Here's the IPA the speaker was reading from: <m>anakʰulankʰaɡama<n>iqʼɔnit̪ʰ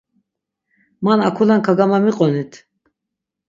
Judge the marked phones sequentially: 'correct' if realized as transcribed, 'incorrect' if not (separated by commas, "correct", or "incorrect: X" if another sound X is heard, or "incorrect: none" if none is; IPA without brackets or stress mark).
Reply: correct, incorrect: m